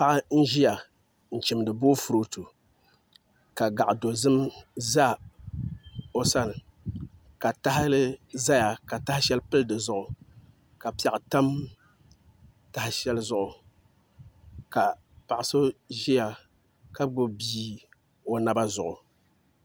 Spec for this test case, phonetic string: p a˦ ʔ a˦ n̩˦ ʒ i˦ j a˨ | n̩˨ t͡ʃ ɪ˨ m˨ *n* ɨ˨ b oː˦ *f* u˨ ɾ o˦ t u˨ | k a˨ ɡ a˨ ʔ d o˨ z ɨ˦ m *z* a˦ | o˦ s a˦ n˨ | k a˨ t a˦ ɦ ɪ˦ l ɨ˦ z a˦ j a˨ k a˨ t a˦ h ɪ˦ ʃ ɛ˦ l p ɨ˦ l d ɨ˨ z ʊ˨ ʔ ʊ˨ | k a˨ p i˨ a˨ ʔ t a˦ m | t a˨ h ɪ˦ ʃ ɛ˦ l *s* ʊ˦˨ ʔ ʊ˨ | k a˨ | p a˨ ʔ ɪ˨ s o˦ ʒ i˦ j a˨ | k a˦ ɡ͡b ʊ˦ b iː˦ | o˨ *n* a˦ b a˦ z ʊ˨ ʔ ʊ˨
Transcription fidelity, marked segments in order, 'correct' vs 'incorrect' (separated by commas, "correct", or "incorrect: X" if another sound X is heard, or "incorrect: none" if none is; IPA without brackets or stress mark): incorrect: d, correct, correct, incorrect: z, correct